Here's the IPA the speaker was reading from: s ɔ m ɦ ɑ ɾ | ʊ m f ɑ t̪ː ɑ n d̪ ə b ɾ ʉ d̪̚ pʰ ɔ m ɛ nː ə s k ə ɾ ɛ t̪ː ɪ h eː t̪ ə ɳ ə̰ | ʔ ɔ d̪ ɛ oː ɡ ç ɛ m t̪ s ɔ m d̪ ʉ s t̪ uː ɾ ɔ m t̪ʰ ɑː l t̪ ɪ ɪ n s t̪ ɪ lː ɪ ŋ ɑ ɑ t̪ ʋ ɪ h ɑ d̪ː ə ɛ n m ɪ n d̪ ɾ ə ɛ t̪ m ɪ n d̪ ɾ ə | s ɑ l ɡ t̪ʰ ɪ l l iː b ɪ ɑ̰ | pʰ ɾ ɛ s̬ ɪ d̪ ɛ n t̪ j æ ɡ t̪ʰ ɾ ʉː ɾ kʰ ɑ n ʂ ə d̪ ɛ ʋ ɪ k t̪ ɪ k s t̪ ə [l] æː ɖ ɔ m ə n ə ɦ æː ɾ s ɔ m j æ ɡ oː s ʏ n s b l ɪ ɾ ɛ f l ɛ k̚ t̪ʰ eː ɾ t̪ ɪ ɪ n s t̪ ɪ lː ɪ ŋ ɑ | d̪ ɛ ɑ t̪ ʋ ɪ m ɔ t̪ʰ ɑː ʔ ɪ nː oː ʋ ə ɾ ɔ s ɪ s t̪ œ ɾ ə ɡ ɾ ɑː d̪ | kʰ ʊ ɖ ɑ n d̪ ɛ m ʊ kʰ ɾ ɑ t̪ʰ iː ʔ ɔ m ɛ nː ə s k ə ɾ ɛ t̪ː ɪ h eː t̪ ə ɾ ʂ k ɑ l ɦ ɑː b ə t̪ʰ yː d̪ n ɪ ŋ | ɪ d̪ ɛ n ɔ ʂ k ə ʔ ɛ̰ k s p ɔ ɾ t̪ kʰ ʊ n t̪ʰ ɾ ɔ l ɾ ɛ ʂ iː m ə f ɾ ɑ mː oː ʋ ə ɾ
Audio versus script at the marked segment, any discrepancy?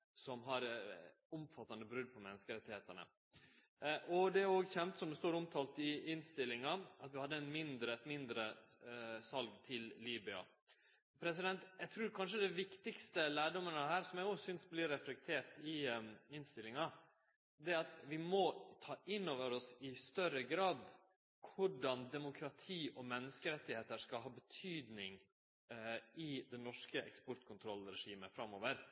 no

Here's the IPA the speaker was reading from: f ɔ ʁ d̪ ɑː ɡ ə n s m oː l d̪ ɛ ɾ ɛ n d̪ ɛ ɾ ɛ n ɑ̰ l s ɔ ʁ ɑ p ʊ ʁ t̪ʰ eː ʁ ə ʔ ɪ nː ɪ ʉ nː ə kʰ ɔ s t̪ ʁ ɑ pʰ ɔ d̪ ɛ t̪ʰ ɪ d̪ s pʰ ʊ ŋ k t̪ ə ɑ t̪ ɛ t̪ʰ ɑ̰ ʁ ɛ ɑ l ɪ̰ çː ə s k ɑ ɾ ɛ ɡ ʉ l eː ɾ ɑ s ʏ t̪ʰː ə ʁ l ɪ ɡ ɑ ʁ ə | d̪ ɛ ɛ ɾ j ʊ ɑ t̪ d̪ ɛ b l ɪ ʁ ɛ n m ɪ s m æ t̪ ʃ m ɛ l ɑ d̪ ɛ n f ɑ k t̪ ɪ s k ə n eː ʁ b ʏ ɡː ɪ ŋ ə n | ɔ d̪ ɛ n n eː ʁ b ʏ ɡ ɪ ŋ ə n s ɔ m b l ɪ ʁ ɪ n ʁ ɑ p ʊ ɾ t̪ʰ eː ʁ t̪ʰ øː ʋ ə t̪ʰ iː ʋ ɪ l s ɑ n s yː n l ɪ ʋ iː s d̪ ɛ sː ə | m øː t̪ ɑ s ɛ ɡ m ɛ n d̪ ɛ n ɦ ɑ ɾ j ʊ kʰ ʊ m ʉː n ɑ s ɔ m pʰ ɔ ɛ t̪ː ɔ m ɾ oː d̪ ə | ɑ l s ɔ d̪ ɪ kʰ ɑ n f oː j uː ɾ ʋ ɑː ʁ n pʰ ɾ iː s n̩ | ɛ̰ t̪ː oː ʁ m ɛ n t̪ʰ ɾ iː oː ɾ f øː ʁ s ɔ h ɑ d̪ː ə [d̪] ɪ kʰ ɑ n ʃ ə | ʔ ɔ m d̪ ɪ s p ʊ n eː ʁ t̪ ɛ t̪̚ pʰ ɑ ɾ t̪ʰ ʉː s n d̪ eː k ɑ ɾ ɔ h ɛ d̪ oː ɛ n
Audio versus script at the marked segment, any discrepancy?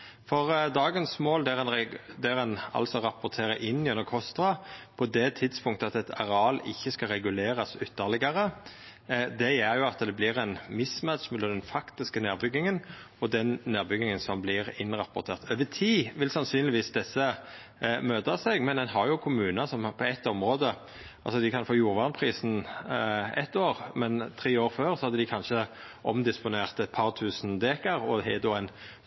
no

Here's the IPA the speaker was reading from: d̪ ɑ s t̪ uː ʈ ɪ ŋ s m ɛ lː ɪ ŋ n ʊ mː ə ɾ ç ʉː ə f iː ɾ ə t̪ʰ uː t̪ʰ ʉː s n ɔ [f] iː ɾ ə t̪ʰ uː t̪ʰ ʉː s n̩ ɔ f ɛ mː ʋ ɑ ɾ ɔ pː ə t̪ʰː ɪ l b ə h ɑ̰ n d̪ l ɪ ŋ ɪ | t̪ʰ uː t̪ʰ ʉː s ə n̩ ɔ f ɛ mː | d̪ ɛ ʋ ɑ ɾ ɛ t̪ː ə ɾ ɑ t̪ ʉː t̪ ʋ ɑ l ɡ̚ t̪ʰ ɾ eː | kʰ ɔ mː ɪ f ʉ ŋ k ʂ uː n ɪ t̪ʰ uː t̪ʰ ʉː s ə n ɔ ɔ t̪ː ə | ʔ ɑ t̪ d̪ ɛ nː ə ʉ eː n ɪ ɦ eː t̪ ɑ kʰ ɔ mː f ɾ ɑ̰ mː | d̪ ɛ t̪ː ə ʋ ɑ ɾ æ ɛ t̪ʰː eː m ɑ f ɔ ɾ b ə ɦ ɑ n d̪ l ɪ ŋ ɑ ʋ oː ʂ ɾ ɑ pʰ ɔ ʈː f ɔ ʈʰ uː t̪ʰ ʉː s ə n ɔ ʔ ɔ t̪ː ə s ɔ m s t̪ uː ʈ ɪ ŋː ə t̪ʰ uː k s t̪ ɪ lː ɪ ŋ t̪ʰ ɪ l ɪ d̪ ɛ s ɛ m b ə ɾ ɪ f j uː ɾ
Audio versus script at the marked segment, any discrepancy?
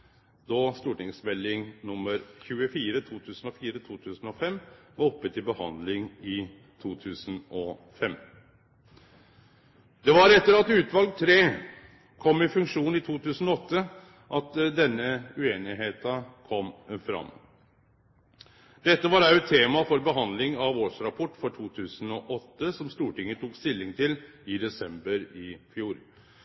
no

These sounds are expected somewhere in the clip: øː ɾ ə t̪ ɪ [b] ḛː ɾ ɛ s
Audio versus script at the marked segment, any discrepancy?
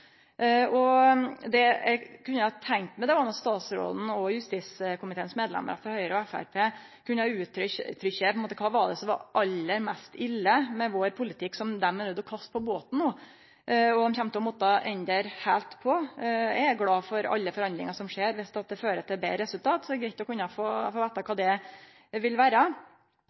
no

